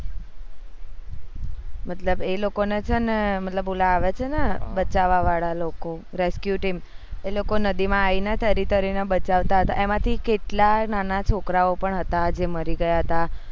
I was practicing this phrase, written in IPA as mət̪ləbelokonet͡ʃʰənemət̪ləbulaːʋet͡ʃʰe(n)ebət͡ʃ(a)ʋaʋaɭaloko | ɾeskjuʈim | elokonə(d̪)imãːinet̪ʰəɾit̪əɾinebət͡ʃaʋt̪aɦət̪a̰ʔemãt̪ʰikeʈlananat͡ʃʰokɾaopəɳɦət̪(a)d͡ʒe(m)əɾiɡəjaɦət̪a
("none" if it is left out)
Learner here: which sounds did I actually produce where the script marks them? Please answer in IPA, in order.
n, a, d̪, a, m

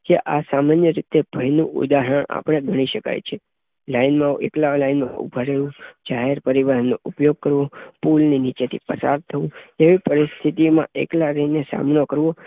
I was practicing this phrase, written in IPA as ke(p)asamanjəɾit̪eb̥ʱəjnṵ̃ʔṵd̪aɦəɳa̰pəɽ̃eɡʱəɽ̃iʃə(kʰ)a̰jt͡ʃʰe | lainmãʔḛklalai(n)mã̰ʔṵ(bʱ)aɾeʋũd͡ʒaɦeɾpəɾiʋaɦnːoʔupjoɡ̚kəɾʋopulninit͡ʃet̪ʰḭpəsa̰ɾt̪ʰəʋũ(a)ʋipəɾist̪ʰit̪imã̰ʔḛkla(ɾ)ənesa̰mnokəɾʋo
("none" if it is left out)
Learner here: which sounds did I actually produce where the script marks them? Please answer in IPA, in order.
ʔ, k, n, bʱ, e, ɾ

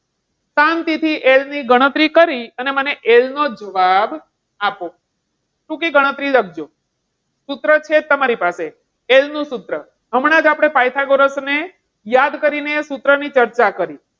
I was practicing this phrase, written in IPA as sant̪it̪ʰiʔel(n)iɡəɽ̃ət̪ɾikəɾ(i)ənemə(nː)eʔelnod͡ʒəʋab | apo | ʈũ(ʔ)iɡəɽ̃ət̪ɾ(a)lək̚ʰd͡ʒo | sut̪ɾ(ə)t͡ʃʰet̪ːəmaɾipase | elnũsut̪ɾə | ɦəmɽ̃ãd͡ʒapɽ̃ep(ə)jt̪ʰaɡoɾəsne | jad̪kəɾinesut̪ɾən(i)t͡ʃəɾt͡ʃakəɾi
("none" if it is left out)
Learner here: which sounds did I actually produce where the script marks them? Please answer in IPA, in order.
n, i, n, k, i, ə, a, i

